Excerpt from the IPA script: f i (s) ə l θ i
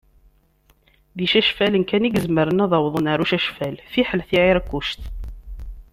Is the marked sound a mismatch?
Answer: yes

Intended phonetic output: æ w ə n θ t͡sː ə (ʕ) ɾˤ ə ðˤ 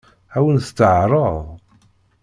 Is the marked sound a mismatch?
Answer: no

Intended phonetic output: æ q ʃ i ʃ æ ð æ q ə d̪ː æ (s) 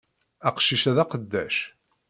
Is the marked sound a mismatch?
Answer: yes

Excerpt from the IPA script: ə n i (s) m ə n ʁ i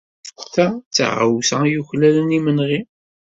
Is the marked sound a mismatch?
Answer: yes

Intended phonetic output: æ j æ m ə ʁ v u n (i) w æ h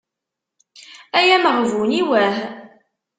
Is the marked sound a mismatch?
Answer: no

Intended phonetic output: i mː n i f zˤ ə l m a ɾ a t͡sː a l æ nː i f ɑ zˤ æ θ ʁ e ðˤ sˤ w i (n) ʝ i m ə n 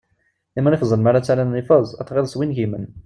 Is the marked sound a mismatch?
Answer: no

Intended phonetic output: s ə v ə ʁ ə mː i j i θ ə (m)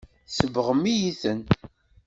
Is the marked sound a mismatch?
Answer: yes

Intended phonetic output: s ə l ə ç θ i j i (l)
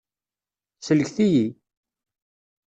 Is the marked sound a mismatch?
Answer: yes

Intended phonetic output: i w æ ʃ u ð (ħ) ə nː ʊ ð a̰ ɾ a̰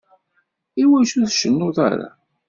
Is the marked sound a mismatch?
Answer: yes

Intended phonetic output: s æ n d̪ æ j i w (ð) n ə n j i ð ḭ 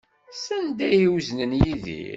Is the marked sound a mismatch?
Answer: yes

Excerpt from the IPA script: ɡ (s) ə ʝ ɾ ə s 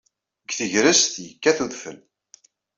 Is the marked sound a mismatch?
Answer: yes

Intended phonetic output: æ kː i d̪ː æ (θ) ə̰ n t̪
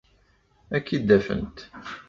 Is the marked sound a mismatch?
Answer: yes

